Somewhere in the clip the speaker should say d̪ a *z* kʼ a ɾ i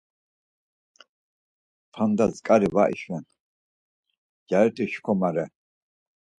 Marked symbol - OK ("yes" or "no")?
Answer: yes